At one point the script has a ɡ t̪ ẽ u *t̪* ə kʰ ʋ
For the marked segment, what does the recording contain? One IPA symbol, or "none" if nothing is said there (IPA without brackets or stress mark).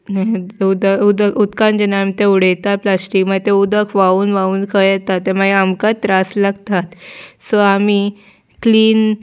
d̪